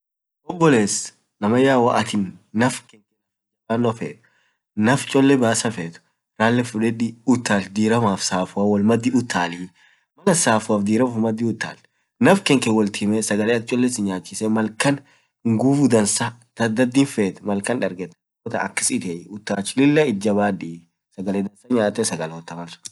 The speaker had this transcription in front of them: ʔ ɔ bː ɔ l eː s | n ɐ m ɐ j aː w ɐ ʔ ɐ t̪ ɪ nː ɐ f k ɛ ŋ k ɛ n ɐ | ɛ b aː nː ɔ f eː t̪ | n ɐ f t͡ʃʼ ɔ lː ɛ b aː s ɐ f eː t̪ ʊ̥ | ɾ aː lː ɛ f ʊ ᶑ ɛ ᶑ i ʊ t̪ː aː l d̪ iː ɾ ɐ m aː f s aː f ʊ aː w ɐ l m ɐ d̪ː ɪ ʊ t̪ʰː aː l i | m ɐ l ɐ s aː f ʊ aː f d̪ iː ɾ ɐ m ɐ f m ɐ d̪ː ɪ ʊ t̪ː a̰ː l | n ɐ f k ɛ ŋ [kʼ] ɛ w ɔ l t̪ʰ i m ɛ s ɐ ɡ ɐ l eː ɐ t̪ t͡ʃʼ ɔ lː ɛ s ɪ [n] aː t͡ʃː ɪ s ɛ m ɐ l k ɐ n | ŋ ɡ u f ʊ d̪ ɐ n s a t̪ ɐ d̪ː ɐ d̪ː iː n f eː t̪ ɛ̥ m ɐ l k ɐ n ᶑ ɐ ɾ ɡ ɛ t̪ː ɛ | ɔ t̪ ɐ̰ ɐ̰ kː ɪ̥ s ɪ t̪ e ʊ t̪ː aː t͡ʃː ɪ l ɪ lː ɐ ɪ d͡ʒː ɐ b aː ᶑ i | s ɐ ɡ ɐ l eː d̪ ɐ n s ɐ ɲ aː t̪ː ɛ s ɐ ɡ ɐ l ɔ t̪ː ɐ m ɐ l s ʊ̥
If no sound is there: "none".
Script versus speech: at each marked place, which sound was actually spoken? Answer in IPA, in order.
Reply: k, ɲ

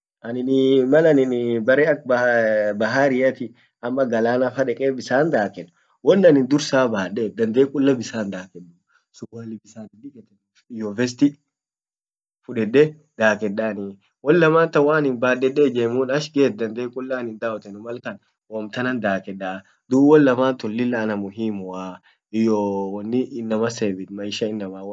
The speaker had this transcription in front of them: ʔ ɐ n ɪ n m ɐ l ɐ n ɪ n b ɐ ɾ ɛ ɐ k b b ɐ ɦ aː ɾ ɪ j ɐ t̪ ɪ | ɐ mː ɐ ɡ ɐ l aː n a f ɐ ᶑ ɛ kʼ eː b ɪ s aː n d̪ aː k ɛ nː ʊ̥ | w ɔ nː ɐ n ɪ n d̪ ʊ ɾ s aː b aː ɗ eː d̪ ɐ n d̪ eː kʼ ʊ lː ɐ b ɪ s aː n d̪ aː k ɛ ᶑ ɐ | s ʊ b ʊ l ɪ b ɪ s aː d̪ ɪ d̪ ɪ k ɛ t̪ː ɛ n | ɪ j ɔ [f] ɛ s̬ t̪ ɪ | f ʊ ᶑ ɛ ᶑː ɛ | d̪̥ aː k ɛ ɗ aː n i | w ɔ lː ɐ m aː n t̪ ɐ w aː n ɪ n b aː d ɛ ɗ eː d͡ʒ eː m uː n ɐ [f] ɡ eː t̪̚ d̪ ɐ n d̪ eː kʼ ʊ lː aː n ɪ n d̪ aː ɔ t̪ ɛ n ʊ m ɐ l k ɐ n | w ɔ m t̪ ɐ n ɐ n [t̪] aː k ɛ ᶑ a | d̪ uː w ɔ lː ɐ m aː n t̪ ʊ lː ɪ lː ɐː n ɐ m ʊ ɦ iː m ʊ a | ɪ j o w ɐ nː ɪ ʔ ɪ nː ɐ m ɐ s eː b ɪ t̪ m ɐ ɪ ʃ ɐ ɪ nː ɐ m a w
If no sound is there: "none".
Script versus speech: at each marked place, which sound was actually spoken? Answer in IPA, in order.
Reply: v, ʃ, d̪

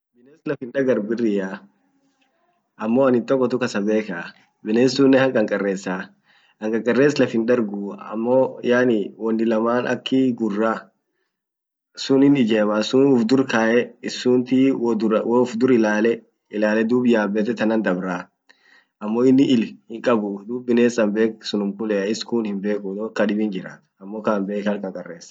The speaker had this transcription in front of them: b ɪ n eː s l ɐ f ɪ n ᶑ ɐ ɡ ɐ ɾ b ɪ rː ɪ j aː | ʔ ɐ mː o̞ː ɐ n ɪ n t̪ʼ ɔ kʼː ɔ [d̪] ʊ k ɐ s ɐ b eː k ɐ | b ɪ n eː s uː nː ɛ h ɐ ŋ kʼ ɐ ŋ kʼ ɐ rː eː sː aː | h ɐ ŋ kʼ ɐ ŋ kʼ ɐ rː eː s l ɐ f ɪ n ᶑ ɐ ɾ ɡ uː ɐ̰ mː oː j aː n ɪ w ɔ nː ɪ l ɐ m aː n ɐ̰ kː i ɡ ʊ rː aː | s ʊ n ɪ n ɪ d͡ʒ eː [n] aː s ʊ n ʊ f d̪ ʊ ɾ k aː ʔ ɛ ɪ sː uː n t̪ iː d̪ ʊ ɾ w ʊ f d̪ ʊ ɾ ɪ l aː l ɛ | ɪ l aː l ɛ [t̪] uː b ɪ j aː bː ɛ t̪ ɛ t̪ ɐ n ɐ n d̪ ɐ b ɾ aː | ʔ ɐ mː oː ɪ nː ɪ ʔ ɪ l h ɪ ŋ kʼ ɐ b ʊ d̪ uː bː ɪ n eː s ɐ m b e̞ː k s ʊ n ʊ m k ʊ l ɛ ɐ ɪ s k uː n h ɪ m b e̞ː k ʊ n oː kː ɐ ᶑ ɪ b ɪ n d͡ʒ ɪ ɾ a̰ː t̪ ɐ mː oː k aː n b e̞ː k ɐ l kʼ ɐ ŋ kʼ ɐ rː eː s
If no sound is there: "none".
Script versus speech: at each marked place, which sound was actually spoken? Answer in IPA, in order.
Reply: t̪, m, d̪

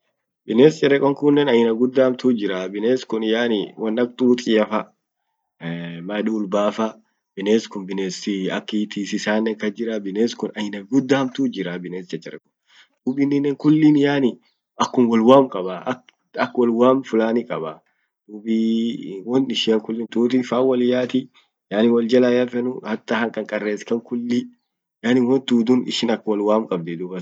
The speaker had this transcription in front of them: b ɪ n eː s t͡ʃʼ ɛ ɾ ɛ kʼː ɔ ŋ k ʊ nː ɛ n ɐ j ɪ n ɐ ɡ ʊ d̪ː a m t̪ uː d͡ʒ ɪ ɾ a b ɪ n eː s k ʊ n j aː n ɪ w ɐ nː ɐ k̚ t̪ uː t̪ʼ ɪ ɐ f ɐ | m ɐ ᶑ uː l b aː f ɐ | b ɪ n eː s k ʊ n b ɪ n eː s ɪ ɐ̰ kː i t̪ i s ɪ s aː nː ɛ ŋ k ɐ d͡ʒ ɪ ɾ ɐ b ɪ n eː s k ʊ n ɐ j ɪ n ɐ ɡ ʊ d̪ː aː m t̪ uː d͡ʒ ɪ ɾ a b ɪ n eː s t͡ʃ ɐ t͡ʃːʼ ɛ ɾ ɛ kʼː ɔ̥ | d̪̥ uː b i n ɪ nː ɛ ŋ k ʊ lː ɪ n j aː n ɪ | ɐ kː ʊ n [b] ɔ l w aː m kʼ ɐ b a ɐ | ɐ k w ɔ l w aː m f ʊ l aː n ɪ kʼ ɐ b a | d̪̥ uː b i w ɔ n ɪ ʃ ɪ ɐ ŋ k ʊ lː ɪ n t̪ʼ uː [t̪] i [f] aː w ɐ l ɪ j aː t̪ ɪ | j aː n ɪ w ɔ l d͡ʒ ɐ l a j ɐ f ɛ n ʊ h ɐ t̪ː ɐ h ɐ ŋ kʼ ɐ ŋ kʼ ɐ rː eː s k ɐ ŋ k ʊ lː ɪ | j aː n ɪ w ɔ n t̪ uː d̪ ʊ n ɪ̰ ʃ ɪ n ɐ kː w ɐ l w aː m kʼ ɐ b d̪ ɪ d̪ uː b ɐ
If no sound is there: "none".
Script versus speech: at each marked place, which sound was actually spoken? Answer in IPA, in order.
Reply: w, t̪, f

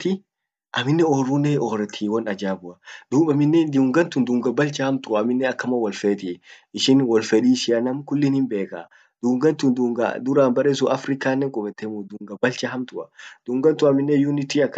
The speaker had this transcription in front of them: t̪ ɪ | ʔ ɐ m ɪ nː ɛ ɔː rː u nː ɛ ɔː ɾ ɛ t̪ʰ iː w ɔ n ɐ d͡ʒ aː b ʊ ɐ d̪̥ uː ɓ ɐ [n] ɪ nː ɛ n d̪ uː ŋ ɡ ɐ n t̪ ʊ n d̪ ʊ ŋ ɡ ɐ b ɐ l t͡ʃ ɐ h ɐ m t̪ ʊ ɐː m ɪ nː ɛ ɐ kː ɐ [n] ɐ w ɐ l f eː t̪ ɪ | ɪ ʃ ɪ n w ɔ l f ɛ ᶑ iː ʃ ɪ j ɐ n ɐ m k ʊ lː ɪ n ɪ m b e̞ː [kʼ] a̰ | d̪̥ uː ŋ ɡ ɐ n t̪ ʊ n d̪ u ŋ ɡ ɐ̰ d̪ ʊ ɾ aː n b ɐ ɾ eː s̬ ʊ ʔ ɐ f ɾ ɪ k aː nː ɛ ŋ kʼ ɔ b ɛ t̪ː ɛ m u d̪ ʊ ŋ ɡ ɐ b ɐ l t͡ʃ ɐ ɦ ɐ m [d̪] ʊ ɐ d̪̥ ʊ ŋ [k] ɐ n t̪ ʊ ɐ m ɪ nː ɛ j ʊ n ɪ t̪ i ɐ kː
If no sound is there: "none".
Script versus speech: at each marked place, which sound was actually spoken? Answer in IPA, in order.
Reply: m, m, k, t̪, ɡ

